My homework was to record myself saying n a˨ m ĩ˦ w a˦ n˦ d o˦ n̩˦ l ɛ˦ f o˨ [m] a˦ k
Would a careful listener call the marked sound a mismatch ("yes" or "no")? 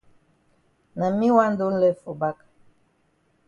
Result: yes